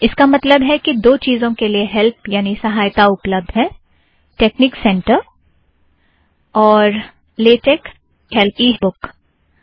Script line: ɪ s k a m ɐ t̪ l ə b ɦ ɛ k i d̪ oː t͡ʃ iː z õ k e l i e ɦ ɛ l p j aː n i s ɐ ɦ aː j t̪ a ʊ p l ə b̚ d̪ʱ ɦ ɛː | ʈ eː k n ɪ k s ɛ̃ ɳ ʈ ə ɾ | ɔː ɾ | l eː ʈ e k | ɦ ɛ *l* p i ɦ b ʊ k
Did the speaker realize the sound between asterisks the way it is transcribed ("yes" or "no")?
yes